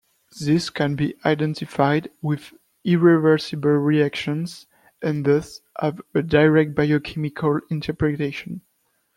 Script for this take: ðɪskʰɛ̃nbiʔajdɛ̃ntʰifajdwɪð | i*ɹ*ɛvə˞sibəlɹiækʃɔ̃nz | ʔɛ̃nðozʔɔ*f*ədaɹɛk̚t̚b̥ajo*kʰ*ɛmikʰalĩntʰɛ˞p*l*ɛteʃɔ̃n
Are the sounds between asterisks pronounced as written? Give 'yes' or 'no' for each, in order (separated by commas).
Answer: yes, no, yes, no